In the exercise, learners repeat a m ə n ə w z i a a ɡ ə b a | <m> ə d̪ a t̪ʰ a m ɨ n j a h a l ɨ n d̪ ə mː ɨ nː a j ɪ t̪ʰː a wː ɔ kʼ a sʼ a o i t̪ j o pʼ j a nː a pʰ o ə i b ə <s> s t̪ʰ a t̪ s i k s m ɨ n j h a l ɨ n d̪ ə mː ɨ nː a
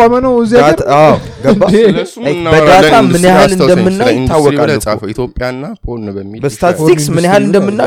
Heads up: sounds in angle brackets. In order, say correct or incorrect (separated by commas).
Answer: incorrect, correct